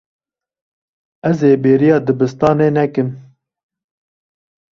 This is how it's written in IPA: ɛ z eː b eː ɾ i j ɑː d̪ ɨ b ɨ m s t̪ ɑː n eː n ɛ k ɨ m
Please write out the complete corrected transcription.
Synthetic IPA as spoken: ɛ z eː b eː ɾ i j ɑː d̪ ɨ b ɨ s t̪ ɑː n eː n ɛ k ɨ m